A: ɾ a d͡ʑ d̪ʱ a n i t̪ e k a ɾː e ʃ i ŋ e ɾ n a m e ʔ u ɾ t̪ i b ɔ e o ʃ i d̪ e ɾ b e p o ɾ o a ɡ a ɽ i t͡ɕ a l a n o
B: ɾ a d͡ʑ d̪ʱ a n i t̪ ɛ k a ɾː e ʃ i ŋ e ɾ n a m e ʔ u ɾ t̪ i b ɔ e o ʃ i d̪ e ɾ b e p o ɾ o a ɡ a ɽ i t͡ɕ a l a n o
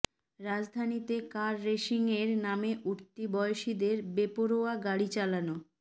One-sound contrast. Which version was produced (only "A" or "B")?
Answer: A